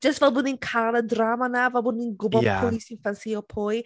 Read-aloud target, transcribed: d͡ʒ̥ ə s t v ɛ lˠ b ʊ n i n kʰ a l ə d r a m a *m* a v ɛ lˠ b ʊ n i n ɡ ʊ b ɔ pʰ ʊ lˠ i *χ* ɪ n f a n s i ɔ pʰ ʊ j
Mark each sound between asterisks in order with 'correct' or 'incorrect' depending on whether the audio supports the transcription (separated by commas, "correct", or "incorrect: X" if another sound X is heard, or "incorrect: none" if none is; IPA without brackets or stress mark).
incorrect: n, incorrect: s